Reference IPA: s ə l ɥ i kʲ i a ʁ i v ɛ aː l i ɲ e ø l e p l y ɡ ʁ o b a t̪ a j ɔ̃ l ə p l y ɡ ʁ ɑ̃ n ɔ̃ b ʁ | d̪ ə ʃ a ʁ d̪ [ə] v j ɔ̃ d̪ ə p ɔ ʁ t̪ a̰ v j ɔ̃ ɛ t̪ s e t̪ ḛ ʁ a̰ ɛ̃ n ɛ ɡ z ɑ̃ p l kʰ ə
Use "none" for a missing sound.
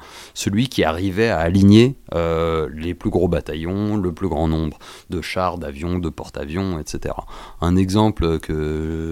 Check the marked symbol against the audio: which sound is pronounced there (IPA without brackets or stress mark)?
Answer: a